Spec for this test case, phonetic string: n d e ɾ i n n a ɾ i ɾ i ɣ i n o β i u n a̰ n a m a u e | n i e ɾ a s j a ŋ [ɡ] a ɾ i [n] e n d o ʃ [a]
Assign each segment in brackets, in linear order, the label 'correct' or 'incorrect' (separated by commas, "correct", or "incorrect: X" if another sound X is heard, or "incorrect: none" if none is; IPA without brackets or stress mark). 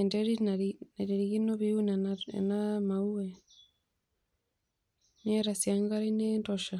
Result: correct, correct, correct